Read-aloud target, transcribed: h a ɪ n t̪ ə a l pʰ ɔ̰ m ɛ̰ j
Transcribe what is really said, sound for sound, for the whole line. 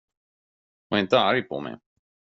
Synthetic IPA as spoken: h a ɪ n t̪ ə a ɾ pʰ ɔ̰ m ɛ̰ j